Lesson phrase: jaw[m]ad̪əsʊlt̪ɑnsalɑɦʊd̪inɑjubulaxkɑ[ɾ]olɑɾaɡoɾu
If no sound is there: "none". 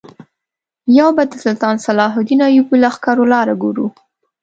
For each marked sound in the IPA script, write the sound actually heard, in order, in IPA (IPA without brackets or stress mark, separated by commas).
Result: b, ɾ